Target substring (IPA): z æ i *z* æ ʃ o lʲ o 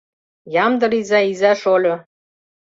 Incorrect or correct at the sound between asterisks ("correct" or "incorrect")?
correct